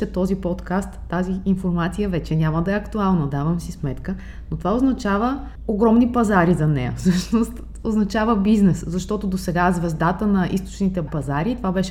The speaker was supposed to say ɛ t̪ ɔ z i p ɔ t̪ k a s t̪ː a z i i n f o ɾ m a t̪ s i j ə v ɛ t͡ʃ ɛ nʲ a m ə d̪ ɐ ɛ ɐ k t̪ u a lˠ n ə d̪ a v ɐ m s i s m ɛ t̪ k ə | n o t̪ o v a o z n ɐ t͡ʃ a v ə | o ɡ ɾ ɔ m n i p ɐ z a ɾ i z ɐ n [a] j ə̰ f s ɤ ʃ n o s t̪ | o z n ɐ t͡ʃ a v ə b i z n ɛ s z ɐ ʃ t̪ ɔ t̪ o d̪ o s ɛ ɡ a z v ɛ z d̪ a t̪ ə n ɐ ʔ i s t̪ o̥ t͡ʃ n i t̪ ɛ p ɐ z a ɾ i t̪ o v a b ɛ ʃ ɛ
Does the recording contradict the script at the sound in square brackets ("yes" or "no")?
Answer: yes